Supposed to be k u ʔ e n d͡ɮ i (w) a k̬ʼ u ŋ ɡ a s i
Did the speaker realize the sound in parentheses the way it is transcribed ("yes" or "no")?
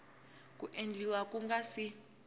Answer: yes